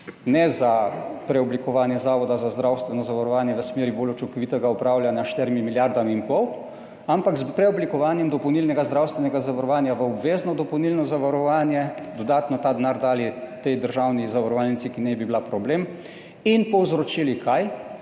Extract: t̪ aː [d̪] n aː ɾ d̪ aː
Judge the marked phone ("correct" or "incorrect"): correct